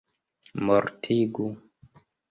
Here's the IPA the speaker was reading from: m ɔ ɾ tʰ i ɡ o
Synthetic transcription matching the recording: m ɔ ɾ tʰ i ɡ u